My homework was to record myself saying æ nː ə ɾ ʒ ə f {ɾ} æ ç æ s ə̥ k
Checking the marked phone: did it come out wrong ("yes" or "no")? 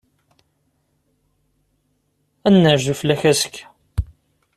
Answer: yes